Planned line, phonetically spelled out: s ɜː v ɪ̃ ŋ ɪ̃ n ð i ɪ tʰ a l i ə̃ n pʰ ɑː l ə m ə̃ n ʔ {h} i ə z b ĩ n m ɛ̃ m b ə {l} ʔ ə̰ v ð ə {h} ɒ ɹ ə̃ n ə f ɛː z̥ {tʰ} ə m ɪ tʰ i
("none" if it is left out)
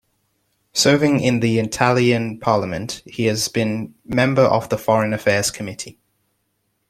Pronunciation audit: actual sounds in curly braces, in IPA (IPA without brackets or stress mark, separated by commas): h, ɹ, f, kʰ